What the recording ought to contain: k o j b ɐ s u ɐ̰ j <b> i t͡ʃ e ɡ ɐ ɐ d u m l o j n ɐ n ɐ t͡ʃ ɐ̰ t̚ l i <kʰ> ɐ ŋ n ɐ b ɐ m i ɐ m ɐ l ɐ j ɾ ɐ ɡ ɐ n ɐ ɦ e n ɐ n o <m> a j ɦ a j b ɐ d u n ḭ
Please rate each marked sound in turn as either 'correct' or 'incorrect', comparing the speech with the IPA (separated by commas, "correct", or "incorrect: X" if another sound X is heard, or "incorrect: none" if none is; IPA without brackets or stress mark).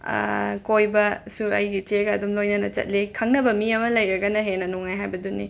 incorrect: ɡ, correct, incorrect: ŋ